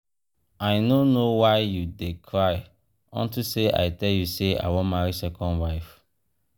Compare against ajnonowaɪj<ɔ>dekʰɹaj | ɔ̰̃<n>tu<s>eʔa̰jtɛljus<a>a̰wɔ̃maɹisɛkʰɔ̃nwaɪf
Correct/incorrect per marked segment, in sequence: incorrect, correct, correct, incorrect

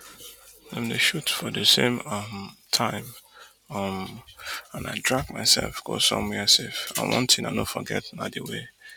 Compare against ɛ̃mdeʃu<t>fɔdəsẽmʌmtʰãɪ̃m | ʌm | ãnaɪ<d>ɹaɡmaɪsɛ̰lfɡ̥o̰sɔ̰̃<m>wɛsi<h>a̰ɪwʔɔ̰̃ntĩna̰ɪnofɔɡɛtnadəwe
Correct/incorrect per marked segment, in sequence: correct, correct, correct, incorrect

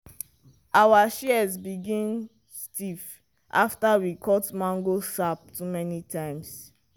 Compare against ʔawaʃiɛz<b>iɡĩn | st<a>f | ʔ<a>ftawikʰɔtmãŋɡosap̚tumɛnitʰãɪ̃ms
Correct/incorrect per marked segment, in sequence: correct, incorrect, correct

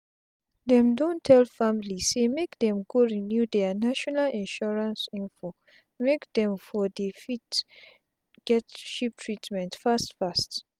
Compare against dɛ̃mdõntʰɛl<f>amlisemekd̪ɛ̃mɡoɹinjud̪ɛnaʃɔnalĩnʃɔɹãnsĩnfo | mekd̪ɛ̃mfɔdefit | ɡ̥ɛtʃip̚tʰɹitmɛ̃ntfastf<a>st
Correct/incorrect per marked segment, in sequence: correct, correct

